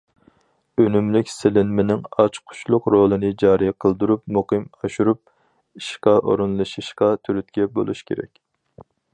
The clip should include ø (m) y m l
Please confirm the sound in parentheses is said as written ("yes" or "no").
no